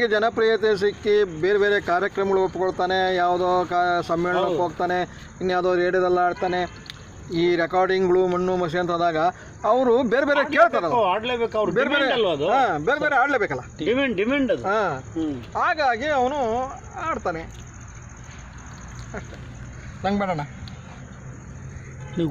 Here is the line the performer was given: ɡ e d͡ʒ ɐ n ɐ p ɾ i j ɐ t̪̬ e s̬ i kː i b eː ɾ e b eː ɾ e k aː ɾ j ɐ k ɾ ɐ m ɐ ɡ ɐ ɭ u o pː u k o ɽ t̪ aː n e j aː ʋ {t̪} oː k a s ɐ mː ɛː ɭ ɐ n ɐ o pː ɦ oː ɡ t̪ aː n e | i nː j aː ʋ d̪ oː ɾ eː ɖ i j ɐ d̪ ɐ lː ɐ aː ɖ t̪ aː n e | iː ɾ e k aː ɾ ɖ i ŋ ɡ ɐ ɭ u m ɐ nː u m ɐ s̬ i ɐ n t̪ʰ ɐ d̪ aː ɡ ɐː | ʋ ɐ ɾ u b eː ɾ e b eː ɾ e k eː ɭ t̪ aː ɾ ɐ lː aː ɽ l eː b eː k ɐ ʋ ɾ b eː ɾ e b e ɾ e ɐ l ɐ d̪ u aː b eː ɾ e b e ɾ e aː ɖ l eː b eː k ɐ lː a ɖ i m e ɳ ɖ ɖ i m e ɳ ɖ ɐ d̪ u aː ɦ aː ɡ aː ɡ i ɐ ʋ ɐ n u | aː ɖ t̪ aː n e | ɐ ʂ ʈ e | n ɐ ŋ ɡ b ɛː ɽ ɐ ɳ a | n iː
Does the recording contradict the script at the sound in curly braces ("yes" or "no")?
yes